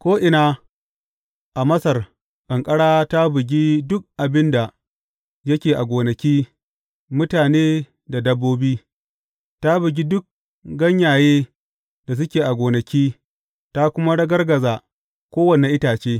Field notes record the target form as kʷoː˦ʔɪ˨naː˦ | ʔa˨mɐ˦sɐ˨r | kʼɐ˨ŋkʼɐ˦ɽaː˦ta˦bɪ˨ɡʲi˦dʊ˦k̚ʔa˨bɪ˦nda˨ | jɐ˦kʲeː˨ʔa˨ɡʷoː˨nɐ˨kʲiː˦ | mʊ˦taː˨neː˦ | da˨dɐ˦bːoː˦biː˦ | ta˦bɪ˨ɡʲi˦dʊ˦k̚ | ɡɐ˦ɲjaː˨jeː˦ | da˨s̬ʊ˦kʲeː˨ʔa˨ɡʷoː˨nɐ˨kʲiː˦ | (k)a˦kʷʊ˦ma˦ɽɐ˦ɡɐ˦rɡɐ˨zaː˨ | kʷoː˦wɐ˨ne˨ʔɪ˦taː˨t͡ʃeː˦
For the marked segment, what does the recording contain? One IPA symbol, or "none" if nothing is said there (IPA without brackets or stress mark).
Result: t